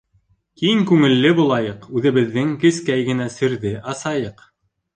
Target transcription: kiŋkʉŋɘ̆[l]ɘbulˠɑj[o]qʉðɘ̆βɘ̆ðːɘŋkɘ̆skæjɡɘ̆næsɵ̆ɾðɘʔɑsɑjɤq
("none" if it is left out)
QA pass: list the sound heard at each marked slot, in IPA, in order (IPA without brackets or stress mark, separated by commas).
lː, ɤ